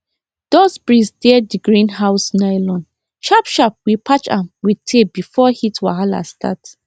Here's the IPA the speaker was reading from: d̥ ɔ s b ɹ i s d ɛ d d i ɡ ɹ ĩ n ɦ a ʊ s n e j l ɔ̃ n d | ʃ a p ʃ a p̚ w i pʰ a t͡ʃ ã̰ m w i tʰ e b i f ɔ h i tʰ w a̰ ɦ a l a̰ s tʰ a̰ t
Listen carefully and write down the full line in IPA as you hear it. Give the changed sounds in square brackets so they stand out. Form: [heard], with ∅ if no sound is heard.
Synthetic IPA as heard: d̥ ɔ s b ɹ i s d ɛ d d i ɡ ɹ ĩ n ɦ a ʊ s n [a] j l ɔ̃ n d | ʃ a p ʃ a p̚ w i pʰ a t͡ʃ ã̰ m w i tʰ e b i f ɔ h i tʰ w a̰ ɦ a l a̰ s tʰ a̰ t